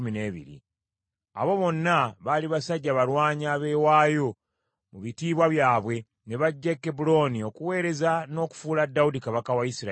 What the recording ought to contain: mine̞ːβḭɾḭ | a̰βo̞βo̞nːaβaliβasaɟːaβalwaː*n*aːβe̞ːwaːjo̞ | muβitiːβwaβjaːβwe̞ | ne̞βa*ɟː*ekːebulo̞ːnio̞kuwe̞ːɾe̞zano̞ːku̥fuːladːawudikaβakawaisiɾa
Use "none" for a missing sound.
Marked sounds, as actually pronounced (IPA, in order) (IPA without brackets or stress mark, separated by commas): ɲ, ɟː